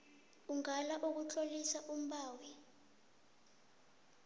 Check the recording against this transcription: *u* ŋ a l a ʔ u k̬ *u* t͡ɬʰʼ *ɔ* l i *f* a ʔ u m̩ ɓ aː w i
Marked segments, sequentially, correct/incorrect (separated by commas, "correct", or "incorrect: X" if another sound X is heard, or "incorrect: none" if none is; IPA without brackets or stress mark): correct, correct, incorrect: o, incorrect: s